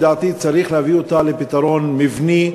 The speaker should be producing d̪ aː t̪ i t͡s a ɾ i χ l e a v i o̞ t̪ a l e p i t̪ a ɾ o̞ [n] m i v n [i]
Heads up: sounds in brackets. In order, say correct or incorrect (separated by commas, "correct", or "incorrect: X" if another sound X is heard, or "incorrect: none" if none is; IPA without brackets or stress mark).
correct, correct